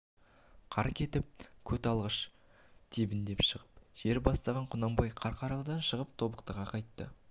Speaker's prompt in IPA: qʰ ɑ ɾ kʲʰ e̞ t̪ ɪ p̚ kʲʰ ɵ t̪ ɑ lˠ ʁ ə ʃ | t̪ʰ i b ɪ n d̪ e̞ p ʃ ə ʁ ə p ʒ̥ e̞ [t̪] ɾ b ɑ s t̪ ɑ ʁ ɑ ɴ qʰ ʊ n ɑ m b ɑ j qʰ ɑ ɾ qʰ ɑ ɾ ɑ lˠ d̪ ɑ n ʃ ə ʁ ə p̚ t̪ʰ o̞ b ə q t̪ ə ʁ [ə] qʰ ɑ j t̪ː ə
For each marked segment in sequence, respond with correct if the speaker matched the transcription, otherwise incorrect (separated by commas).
incorrect, incorrect